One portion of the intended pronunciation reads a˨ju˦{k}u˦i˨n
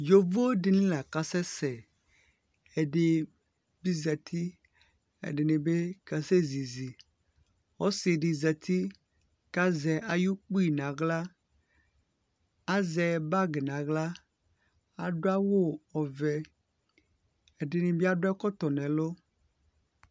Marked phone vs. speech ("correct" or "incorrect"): incorrect